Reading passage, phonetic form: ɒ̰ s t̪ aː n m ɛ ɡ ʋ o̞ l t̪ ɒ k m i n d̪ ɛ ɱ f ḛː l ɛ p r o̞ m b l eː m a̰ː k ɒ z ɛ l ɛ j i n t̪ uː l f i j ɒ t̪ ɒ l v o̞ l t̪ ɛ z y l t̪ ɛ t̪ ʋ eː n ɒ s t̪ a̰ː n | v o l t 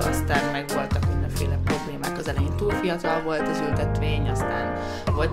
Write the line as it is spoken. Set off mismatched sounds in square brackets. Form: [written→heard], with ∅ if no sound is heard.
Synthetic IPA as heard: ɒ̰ s t̪ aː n m ɛ ɡ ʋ o̞ l t̪ ɒ k m i n d̪ ɛ ɱ f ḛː l ɛ p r o̞ [m→∅] b l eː m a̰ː k ɒ z ɛ l ɛ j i n t̪ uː l f i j ɒ t̪ ɒ l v o̞ l t̪ ɛ z y l t̪ ɛ t̪ ʋ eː [n→ɲ] ɒ s t̪ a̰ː n | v o l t